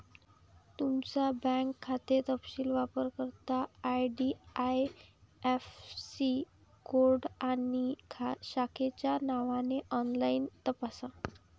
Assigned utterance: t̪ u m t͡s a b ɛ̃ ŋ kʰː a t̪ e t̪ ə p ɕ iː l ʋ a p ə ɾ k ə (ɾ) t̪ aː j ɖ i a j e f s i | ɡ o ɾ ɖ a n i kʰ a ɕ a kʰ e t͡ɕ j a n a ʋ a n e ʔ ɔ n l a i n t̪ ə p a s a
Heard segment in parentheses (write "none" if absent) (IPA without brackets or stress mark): ɾ